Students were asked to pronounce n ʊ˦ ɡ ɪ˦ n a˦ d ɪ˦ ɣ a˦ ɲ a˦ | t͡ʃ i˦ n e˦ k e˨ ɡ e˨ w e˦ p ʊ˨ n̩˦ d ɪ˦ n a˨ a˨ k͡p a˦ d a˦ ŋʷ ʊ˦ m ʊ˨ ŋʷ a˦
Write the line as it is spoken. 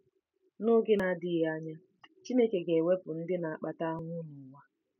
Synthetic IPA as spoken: n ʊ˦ ɡ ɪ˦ n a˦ d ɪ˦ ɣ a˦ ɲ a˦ | t͡ʃ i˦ n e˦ k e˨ ɡ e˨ w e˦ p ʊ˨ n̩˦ d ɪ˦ n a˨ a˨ k͡p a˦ t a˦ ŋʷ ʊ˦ n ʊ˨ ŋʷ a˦